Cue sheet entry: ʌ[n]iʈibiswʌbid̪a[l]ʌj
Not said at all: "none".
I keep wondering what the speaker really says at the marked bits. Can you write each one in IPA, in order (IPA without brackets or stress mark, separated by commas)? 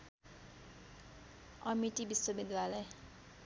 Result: m, l